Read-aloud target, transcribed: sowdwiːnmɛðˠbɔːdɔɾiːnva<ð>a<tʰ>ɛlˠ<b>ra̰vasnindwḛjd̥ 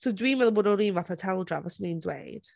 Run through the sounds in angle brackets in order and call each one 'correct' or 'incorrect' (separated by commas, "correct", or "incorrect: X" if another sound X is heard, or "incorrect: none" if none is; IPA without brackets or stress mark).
incorrect: θ, correct, incorrect: d